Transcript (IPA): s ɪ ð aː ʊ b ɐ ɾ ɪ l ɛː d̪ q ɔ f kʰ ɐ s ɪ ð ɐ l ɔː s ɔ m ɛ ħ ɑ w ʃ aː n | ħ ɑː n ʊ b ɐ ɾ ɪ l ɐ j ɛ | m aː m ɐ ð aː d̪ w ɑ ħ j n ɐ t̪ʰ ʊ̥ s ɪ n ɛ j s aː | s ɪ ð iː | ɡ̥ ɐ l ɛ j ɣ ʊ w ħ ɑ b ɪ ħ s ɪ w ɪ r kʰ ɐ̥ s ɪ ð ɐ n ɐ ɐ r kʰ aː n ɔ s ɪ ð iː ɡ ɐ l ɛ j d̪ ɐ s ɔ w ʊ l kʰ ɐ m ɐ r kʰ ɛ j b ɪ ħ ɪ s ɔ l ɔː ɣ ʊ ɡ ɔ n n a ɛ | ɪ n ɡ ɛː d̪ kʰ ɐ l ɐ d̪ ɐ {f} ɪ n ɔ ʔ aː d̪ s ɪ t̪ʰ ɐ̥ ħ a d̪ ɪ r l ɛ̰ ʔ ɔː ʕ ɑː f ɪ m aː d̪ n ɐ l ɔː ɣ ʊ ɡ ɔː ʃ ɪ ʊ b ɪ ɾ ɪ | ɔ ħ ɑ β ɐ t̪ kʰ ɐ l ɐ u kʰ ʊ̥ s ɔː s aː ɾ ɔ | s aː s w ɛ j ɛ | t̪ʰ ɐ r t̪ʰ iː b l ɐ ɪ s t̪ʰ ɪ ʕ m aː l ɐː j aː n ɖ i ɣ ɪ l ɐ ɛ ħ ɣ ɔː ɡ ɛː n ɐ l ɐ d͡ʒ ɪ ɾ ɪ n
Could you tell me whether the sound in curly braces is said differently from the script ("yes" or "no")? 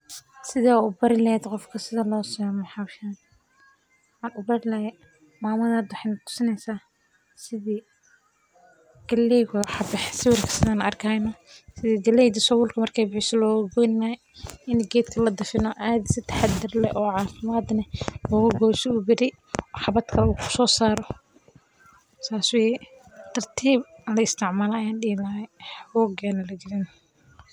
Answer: no